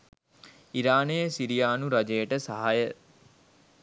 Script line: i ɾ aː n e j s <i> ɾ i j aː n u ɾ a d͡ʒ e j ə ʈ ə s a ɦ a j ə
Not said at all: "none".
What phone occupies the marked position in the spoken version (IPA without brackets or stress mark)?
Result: i